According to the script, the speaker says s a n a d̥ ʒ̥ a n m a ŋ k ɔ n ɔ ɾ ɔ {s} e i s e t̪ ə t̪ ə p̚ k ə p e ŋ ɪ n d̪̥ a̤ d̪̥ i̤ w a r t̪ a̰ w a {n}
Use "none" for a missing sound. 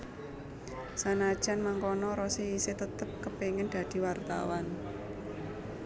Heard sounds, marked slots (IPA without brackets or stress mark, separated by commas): s, n